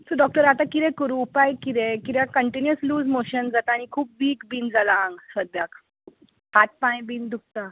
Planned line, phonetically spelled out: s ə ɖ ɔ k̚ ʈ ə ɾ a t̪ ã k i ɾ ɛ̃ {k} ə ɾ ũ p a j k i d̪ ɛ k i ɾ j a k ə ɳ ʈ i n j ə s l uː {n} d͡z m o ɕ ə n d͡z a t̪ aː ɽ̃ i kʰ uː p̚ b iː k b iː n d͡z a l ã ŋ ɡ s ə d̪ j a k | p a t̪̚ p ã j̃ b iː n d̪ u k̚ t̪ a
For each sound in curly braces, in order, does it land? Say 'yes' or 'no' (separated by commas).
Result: yes, no